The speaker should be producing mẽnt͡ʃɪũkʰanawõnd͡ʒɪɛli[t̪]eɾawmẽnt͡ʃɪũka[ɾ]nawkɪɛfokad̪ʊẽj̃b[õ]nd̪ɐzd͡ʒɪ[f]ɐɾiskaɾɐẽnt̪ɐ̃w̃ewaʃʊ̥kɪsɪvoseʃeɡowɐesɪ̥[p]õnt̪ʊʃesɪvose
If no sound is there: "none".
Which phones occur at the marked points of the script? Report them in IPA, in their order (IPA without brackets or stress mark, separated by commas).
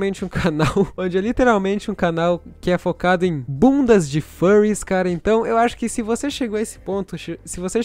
t̪, none, ũ, f, p